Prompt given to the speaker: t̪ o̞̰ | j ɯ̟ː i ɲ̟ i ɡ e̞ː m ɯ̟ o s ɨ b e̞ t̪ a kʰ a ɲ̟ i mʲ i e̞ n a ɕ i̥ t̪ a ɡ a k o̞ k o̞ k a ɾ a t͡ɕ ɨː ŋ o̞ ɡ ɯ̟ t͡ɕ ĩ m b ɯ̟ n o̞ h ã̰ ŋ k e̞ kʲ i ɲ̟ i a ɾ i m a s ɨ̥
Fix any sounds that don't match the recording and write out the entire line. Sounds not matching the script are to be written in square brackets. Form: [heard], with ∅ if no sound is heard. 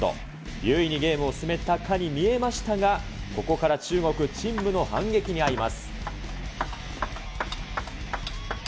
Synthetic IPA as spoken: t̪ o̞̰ | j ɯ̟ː i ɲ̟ i ɡ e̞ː m ɯ̟ o s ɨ [m] e̞ t̪ a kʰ a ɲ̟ i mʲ i e̞ [m] a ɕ i̥ t̪ a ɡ a k o̞ k o̞ k a ɾ a t͡ɕ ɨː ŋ o̞ [k] ɯ̟ t͡ɕ ĩ m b ɯ̟ n o̞ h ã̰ ŋ [ɡ] e̞ kʲ i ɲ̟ i a ɾ i m a s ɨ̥

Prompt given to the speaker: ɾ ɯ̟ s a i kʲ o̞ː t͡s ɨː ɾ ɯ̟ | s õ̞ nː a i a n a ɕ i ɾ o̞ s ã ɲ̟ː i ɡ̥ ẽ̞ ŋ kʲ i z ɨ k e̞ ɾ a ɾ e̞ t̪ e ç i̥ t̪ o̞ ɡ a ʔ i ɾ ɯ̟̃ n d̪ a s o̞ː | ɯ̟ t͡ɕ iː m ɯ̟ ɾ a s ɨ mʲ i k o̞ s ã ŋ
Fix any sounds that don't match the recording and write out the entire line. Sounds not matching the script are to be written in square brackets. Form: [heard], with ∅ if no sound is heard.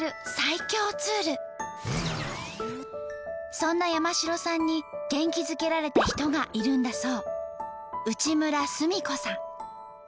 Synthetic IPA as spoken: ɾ ɯ̟ s a i kʲ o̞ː t͡s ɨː ɾ ɯ̟ | s õ̞ nː a [j] a [m] a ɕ i ɾ o̞ s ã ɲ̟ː i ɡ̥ ẽ̞ ŋ kʲ i z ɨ k e̞ ɾ a ɾ e̞ t̪ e ç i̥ t̪ o̞ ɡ a ʔ i ɾ ɯ̟̃ n d̪ a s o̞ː | ɯ̟ t͡ɕ [i] m ɯ̟ ɾ a s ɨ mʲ i k o̞ s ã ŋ

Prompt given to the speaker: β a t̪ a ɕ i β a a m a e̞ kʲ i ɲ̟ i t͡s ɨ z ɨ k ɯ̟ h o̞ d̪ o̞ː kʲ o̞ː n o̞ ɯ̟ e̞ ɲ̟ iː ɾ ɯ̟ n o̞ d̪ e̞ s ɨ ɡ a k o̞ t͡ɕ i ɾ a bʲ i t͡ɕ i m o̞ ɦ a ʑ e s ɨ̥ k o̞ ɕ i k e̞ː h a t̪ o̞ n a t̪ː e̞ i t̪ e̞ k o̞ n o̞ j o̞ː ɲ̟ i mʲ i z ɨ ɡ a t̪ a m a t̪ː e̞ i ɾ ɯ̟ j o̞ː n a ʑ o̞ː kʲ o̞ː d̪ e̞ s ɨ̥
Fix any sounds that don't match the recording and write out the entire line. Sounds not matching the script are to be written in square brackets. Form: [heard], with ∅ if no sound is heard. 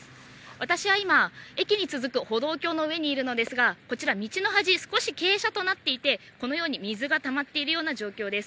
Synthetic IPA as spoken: β a t̪ a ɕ i β a [i] m a e̞ kʲ i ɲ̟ i t͡s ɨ z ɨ k ɯ̟ h o̞ d̪ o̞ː kʲ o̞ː n o̞ ɯ̟ e̞ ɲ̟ iː ɾ ɯ̟ n o̞ d̪ e̞ s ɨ ɡ a k o̞ t͡ɕ i ɾ a [mʲ] i t͡ɕ i [n] o̞ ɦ a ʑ [i] s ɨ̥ k o̞ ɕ i k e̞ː [ɕ] a t̪ o̞ n a t̪ː e̞ i t̪ e̞ k o̞ n o̞ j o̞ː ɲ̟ i mʲ i z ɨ ɡ a t̪ a m a t̪ː e̞ i ɾ ɯ̟ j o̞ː n a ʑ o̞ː kʲ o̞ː d̪ e̞ s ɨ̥

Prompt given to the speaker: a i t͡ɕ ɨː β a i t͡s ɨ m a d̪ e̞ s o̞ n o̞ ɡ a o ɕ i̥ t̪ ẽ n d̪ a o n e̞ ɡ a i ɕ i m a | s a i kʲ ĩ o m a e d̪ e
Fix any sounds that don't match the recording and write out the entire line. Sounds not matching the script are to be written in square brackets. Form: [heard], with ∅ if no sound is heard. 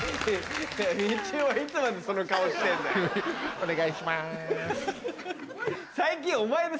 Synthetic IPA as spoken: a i t͡ɕ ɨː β a i t͡s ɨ m a d̪ e̞ s o̞ n o̞ [k] a o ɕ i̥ t̪ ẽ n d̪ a o n e̞ ɡ a i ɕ i m a | s a i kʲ ĩ o m a e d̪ e

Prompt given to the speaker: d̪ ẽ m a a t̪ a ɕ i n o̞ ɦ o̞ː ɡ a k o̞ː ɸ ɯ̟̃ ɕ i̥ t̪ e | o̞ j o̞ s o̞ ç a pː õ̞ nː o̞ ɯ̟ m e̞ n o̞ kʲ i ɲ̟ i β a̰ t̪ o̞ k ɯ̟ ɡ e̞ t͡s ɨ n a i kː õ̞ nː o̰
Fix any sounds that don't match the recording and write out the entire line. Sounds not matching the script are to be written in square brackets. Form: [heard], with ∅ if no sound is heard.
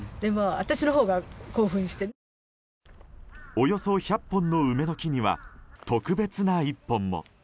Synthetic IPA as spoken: d̪ [e] m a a t̪ a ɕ i n o̞ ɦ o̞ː ɡ a k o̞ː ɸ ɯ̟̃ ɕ i̥ t̪ e | o̞ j o̞ s o̞ ç a pː õ̞ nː o̞ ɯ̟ m e̞ n o̞ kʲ i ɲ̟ i β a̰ t̪ o̞ k ɯ̟ [b] e̞ t͡s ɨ n a i [pː] õ̞ [mː] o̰

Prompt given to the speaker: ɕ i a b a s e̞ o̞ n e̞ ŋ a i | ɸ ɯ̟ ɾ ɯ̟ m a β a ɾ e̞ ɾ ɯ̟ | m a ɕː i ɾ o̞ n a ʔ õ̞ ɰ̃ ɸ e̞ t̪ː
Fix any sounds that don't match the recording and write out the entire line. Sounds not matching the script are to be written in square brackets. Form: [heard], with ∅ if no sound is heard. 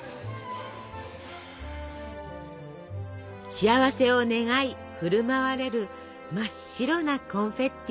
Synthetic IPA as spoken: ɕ i a [β] a s e̞ o̞ n e̞ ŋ a i | ɸ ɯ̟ ɾ ɯ̟ m a β a ɾ e̞ ɾ ɯ̟ | m a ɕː i ɾ o̞ n a [k] õ̞ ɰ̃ ɸ e̞ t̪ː

